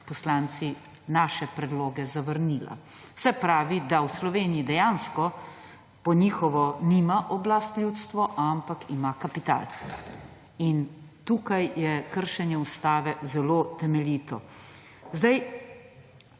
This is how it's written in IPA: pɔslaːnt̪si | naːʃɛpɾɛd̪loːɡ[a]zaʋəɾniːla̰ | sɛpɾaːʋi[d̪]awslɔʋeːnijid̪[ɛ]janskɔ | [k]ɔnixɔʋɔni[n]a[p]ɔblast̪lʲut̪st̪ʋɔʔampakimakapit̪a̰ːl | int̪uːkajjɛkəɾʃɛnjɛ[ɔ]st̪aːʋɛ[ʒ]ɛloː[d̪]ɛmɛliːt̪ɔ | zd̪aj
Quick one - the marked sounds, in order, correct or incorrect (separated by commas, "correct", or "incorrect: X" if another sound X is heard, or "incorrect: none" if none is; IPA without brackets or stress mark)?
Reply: incorrect: ɛ, correct, correct, incorrect: p, incorrect: m, incorrect: ʔ, incorrect: u, incorrect: z, incorrect: t̪